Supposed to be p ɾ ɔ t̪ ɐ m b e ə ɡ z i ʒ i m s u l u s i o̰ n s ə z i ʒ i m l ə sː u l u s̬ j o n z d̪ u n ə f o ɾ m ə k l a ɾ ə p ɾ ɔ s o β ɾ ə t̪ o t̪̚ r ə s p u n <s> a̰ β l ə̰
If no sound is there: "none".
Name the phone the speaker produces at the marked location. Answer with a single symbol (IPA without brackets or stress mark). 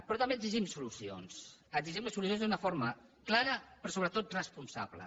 s